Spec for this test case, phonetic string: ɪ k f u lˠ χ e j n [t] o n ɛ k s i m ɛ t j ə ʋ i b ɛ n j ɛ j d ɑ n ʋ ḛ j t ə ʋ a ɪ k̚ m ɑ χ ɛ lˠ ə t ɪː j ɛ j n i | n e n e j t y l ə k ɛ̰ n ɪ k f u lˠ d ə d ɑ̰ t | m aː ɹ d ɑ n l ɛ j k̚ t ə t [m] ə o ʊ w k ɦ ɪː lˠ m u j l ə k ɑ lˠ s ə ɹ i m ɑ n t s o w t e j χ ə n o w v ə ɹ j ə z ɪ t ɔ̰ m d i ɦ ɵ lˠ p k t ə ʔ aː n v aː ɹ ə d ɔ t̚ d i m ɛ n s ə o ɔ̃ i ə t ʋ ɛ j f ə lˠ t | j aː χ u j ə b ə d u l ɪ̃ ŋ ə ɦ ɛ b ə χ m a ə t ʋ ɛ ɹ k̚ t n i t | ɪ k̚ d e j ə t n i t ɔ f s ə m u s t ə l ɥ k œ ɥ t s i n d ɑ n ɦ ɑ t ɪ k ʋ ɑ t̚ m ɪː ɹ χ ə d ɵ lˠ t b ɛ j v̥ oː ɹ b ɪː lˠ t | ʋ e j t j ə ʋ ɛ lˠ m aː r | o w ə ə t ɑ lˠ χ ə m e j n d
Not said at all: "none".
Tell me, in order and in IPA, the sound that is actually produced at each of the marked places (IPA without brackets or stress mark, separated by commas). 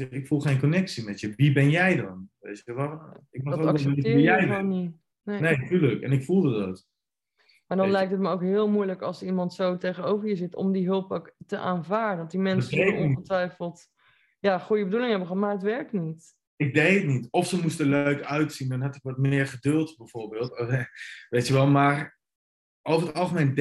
k, m